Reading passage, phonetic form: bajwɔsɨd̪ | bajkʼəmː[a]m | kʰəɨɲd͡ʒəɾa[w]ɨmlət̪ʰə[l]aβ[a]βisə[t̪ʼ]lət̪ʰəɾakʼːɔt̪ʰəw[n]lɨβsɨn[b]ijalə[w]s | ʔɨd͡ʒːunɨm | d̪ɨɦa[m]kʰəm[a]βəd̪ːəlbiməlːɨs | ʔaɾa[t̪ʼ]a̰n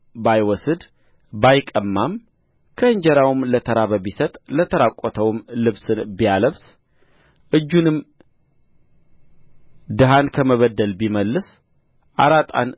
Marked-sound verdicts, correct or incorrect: correct, correct, incorrect: ɾ, incorrect: ə, correct, incorrect: m, correct, incorrect: β, incorrect: n, incorrect: ə, correct

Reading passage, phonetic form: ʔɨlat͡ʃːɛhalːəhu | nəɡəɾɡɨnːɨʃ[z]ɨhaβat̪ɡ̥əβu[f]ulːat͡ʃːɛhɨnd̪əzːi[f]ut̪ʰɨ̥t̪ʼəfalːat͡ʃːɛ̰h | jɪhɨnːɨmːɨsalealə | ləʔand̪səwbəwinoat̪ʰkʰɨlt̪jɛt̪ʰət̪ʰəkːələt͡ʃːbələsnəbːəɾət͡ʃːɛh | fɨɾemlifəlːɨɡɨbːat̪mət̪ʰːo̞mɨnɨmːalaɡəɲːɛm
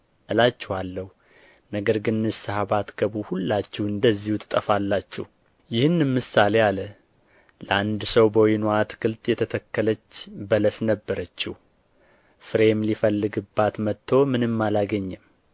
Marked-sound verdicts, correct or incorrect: incorrect: s, incorrect: h, incorrect: h

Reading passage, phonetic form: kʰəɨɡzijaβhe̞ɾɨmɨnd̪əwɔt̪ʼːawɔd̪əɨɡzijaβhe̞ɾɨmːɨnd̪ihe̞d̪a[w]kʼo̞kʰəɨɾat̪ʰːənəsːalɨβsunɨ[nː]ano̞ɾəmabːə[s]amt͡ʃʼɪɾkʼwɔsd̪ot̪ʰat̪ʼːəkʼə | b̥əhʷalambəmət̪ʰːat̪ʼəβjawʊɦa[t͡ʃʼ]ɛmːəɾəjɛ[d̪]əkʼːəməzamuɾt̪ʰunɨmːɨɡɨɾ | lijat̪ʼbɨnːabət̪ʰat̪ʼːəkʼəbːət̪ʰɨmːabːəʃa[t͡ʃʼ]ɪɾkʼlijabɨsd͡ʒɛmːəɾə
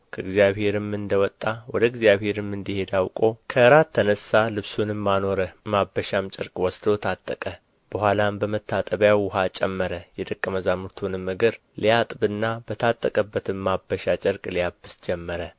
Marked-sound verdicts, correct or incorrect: correct, incorrect: mː, incorrect: ʃ, correct, correct, correct

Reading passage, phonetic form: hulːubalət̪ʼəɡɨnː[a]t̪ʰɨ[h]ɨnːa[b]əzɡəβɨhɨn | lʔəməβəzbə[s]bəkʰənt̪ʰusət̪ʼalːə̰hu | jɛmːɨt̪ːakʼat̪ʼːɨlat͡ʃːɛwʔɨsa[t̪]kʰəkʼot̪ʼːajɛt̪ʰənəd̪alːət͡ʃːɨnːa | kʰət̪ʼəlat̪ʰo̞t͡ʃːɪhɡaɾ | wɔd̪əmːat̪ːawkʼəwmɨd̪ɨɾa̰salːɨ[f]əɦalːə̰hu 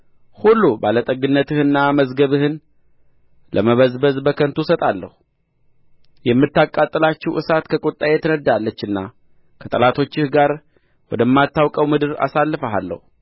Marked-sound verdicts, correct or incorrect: incorrect: ə, correct, incorrect: m, incorrect: z, correct, correct

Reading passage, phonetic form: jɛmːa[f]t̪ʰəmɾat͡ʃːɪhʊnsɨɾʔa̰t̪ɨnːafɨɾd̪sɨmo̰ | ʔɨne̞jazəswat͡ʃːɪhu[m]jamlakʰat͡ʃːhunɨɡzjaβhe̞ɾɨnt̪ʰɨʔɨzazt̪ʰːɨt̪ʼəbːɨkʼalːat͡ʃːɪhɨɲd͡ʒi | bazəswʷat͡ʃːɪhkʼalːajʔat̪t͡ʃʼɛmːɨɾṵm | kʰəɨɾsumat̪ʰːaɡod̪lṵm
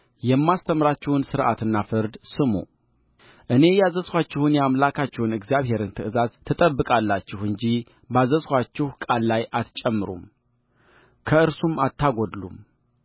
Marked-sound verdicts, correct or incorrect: incorrect: s, incorrect: n

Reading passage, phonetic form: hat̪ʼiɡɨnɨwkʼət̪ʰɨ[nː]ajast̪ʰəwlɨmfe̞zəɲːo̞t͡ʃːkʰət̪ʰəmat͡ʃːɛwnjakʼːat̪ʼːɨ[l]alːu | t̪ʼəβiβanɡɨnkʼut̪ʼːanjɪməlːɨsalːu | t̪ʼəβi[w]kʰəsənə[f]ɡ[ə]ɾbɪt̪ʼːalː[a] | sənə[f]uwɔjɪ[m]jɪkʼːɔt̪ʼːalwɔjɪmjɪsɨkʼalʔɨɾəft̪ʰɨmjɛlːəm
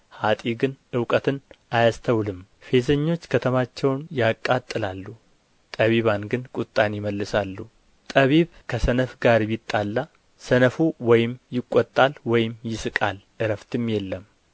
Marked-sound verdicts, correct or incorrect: incorrect: n, correct, incorrect: β, correct, incorrect: a, correct, correct, correct

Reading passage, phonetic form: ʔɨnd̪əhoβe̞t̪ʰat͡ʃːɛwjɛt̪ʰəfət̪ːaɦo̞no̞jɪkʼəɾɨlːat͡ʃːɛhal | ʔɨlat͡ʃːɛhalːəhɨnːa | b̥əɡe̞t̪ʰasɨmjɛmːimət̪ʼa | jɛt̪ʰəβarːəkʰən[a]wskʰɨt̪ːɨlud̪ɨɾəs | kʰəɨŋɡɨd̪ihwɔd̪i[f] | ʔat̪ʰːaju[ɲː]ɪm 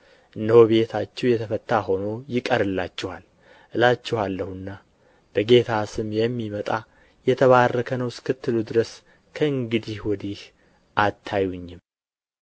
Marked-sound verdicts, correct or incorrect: incorrect: ə, incorrect: h, correct

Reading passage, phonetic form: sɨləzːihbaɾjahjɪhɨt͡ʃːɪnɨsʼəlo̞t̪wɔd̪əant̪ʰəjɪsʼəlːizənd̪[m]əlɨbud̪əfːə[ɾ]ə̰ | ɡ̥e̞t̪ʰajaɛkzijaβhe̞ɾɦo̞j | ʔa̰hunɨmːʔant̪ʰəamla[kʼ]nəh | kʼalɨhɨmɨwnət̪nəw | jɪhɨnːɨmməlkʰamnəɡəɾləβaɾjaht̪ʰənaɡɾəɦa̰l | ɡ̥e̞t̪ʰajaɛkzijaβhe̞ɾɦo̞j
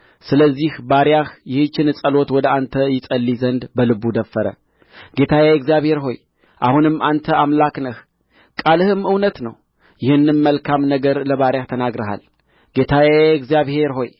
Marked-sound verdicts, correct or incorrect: incorrect: b, correct, incorrect: k

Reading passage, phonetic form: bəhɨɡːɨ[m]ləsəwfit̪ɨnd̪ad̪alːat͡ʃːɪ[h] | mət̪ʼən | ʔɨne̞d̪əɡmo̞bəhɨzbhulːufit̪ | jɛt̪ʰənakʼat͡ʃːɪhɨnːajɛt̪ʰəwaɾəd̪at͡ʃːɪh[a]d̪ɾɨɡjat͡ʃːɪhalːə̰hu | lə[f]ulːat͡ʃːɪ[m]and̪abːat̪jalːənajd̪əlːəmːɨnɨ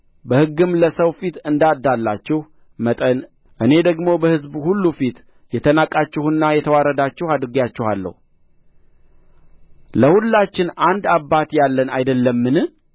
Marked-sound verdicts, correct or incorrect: correct, correct, correct, incorrect: h, incorrect: n

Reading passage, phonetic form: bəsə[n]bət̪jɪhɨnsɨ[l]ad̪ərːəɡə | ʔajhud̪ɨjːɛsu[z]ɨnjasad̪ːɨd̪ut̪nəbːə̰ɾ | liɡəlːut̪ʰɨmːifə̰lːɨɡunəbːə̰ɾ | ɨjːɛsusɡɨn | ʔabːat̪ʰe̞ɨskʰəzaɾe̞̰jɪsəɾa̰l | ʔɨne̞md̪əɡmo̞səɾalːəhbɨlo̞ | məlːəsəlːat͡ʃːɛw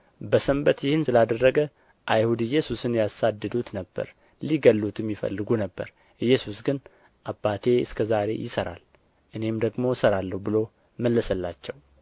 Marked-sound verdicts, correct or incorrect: incorrect: m, correct, incorrect: s

